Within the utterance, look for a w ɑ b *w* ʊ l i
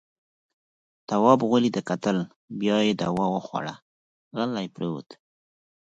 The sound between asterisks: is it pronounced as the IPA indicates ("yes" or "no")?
no